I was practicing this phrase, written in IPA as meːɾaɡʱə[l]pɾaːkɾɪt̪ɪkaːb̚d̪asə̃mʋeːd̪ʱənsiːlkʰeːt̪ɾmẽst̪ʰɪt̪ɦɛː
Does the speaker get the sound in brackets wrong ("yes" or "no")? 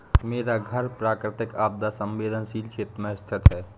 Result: yes